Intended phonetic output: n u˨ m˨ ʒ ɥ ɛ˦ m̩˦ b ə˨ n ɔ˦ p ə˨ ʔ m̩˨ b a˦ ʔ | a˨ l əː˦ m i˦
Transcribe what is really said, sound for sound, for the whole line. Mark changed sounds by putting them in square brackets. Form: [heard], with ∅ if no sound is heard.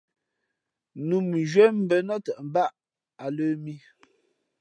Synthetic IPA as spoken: n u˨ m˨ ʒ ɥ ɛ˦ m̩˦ b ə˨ n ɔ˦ [t] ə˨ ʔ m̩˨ b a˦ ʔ | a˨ l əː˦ m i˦